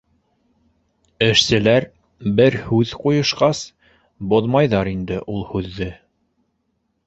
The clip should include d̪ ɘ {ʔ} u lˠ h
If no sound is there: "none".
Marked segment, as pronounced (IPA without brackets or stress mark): ʔ